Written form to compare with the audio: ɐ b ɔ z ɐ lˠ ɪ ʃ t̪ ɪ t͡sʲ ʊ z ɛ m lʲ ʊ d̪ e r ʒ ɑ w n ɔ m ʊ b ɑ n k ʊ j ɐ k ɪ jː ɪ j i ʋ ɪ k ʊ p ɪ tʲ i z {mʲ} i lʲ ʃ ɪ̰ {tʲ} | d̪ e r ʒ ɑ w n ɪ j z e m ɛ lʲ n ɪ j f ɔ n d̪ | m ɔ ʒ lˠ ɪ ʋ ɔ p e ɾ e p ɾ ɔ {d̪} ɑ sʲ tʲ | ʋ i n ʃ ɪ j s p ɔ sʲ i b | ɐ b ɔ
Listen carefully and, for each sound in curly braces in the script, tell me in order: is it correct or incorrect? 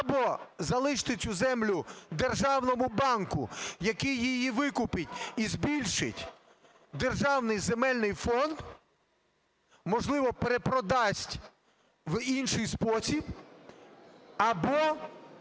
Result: incorrect: bʲ, correct, correct

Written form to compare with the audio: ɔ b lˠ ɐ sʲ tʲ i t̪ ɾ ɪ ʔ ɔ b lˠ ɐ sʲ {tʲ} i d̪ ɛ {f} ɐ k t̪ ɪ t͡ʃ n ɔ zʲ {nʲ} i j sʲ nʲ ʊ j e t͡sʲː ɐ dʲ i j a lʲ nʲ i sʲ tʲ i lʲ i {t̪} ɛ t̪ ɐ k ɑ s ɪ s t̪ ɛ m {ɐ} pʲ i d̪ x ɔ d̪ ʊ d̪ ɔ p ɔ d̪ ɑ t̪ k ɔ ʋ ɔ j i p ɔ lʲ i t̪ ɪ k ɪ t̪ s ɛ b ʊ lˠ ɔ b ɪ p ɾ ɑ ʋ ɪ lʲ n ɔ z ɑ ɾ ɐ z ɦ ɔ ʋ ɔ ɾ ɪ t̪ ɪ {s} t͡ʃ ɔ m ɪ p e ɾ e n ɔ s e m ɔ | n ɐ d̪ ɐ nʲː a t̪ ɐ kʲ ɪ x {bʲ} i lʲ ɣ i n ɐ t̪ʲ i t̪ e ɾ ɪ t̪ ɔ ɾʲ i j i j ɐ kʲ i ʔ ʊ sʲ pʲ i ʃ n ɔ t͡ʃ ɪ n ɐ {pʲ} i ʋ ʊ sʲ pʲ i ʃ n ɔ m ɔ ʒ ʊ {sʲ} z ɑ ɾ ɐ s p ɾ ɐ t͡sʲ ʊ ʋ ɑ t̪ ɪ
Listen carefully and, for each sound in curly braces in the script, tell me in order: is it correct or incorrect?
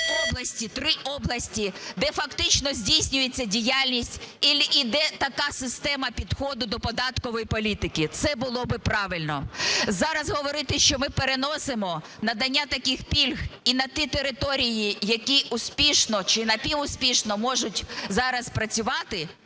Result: correct, correct, incorrect: dʲ, incorrect: d̪, correct, incorrect: ʃ, incorrect: pʲ, correct, incorrect: tʲ

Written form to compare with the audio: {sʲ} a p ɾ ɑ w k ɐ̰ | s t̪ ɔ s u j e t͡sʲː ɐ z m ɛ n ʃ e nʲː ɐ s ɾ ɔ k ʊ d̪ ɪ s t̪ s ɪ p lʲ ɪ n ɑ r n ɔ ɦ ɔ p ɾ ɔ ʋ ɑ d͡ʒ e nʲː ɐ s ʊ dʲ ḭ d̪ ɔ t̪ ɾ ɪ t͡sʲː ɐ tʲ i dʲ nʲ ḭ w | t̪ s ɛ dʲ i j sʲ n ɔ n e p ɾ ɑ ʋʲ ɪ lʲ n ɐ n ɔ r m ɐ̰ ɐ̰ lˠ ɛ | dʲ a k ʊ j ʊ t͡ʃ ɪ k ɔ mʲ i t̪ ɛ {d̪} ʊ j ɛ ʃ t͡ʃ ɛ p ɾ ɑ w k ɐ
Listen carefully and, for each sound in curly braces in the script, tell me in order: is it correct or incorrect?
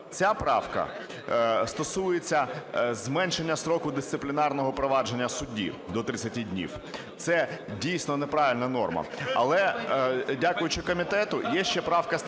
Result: incorrect: t͡sʲ, incorrect: t̪

